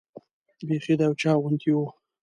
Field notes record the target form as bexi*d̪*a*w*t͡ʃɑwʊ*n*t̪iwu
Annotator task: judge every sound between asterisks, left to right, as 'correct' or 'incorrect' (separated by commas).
correct, correct, correct